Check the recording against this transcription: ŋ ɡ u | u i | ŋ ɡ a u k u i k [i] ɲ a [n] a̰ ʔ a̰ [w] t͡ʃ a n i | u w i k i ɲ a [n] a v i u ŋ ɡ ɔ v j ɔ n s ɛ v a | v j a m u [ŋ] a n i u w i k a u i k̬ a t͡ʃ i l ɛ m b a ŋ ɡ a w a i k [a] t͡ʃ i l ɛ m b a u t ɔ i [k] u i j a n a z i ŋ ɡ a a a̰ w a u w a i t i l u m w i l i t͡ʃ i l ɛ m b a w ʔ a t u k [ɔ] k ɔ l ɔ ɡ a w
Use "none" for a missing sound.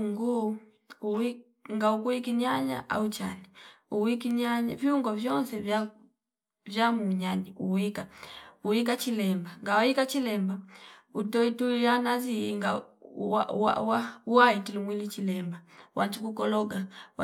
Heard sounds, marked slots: i, ɲ, u, ɲ, ɲ, a, t, u

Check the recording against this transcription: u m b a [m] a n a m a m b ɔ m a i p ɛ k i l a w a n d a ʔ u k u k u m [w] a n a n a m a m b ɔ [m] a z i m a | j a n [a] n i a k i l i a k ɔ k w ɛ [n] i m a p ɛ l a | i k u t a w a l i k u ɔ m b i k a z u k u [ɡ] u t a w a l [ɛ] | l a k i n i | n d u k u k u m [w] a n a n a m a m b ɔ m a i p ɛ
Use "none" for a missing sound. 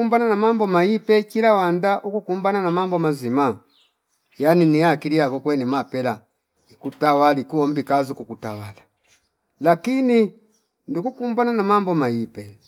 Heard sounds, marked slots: n, b, m, i, n, k, a, b

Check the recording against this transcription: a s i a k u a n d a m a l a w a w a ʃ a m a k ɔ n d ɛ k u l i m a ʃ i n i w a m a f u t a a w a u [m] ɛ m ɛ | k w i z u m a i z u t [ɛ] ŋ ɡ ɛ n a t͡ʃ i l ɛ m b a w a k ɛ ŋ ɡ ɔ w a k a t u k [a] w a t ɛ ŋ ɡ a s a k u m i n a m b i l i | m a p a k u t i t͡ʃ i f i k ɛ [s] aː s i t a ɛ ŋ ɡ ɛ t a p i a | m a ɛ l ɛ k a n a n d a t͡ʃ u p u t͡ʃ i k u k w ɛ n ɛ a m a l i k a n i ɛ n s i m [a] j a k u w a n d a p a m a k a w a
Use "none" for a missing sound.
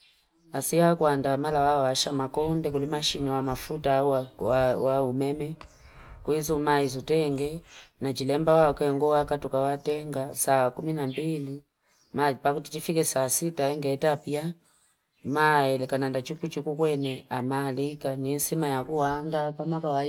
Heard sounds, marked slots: m, ɛ, a, s, a

